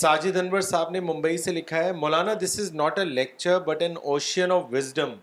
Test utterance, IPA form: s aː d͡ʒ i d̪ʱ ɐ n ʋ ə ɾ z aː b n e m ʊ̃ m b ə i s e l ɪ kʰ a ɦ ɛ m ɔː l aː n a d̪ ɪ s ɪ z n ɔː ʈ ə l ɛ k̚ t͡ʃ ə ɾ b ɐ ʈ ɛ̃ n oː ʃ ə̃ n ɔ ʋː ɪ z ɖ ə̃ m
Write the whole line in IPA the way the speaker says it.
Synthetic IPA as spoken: s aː d͡ʒ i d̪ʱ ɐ n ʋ ə ɾ s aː b n e m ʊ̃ m b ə i s e l ɪ kʰ a ɦ ɛ m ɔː l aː n a d̪ ɪ s ɪ z n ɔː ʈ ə l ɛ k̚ t͡ʃ ə ɾ b ɐ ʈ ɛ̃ n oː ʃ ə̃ n ɔ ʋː ɪ z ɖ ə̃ m